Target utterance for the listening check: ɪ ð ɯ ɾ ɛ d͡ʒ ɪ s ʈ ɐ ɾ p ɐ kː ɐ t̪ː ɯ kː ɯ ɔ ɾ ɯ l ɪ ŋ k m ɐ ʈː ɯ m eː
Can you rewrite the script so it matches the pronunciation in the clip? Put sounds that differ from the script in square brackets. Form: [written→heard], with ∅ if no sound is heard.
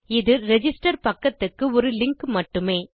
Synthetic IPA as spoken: ɪ ð ɯ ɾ ɛ d͡ʒ ɪ s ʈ ɐ ɾ p ɐ kː ɐ t̪ː ɯ kː ɯ ɔ ɾ ɯ l ɪ ŋ k m ɐ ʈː ɯ m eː

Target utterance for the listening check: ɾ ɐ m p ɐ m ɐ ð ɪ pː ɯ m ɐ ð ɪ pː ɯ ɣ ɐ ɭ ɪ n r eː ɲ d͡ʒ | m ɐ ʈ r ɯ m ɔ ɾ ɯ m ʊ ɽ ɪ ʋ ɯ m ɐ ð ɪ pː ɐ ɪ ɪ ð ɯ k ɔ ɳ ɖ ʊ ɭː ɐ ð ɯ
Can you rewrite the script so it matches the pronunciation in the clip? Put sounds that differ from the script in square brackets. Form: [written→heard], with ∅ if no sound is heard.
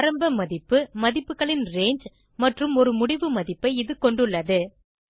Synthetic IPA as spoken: ɾ ɐ m [p→b] ɐ m ɐ ð ɪ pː ɯ m ɐ ð ɪ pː ɯ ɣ ɐ ɭ ɪ n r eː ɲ d͡ʒ | m ɐ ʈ r ɯ m ɔ ɾ ɯ m ʊ ɽ ɪ ʋ ɯ m ɐ ð ɪ pː ɐ ɪ ɪ ð ɯ k ɔ ɳ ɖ [ʊ→ɯ] ɭː ɐ ð ɯ

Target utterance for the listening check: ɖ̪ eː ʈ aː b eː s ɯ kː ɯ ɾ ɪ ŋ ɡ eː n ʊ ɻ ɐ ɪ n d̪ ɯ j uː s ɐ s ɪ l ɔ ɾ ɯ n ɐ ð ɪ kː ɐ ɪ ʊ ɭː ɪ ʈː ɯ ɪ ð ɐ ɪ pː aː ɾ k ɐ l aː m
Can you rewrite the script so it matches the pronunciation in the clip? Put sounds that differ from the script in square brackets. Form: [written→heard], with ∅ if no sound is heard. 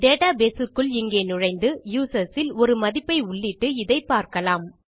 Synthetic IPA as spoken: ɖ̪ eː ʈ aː b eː s ɯ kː ɯ [ɾ→ɭ] ɪ ŋ ɡ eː n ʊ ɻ ɐ ɪ n d̪ ɯ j uː s ɐ s ɪ l ɔ ɾ ɯ [n→m] ɐ ð ɪ [kː→pː] ɐ ɪ ʊ ɭː ɪ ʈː ɯ ɪ ð ɐ ɪ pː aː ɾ k ɐ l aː m

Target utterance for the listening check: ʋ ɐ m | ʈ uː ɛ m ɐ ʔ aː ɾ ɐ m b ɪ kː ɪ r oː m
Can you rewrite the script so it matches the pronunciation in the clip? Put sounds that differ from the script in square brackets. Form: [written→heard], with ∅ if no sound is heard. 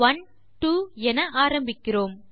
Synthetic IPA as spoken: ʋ ɐ [m→n] | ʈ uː ɛ [m→n] ɐ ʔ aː ɾ ɐ m b ɪ kː ɪ r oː m

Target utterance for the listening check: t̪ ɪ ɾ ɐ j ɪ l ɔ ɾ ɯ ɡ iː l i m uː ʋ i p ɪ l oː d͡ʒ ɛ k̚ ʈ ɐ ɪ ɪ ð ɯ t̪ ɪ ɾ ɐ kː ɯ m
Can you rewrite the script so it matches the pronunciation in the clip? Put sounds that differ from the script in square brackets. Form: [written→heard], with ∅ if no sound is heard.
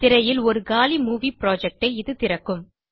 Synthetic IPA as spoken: t̪ ɪ ɾ ɐ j ɪ l ɔ ɾ ɯ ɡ [iː→aː] l i m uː ʋ i p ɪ [l→ɾ] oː d͡ʒ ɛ k̚ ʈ ɐ ɪ ɪ ð ɯ t̪ ɪ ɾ ɐ kː ɯ m

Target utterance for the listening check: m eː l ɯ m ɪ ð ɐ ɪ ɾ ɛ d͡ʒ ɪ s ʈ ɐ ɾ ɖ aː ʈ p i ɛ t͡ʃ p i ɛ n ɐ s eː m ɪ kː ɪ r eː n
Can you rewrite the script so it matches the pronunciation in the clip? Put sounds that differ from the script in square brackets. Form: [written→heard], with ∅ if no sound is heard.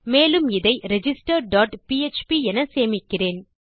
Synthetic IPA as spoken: m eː l ɯ m ɪ ð ɐ ɪ ɾ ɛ d͡ʒ ɪ s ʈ ɐ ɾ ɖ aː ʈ p i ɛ t͡ʃ p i ɛ n ɐ s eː m ɪ kː ɪ r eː n

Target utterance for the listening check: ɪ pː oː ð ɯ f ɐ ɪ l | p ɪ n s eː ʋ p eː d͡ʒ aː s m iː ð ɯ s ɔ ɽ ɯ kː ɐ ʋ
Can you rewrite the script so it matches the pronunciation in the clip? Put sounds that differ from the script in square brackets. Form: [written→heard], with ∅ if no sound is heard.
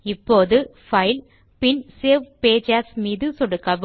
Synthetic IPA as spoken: ɪ pː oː ð ɯ f ɐ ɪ l | p ɪ n s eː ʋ p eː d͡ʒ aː s m iː ð ɯ s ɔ ɽ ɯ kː ɐ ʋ

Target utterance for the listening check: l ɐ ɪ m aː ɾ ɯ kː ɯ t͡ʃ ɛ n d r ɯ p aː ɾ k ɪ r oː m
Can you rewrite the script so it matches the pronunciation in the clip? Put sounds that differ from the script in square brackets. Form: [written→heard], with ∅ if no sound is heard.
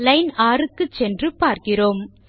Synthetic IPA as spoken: l ɐ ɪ [m→n] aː ɾ ɯ kː ɯ t͡ʃ ɛ n d r ɯ p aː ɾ k ɪ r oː m

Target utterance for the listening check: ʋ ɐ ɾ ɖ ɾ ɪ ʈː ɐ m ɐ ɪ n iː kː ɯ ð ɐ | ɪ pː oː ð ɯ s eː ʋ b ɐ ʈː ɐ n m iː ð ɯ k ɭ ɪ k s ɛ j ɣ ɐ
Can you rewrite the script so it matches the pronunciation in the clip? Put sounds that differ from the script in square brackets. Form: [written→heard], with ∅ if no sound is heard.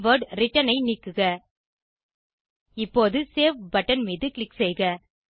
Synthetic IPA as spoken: ʋ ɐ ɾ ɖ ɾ ɪ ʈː ɐ [m→n] ɐ ɪ n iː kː ɯ [ð→ɣ] ɐ | ɪ pː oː ð ɯ s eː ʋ b ɐ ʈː ɐ n m iː ð ɯ k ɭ ɪ k s ɛ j ɣ ɐ

